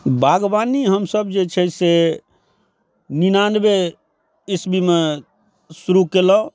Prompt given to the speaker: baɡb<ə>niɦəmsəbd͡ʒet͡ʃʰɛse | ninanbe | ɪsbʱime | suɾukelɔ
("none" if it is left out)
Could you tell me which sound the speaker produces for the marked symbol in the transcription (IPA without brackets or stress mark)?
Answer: a